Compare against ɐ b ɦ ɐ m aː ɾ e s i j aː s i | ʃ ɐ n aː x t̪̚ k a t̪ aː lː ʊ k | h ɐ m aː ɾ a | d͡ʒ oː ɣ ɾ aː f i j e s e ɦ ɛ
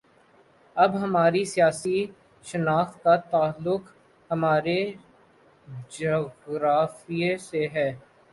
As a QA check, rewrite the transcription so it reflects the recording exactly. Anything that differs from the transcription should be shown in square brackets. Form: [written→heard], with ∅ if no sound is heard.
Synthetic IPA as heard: ɐ b ɦ ɐ m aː ɾ [e→i] s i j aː s i | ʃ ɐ n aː x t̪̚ k a t̪ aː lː ʊ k | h ɐ m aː ɾ [a→e] | d͡ʒ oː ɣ ɾ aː f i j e s e ɦ [ɛ→ɛː]